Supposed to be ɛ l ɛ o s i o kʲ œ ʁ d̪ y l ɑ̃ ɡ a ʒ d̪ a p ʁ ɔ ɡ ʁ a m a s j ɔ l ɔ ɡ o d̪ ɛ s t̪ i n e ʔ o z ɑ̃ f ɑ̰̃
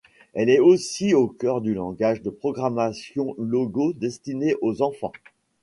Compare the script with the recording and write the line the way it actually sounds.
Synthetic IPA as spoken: ɛ l ɛ o s i o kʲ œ ʁ d̪ y l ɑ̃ ɡ a ʒ d̪ ə p χ ɔ ɡ ʁ a m a s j ɔ̃ l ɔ ɡ o d̪ ɛ s t̪ i n e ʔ o z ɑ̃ f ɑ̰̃